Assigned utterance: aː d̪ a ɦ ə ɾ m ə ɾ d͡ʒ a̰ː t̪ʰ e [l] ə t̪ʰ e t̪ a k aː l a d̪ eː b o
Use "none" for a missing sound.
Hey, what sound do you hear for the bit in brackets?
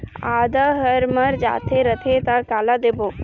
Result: ɾ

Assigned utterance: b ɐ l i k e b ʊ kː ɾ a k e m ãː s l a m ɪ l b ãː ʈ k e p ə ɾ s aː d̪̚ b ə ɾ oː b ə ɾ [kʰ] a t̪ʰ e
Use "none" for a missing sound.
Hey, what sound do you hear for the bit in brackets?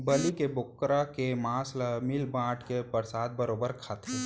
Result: kʰ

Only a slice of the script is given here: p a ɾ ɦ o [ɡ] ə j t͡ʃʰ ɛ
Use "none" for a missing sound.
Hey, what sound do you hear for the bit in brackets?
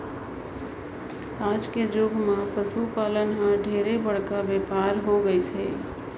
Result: ɡ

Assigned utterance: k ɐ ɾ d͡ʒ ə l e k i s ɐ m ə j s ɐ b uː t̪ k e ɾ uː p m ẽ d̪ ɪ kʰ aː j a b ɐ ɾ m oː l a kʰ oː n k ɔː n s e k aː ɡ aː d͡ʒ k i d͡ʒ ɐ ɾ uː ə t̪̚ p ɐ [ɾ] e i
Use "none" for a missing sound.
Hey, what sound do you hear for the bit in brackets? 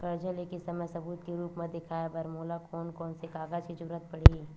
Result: ɽ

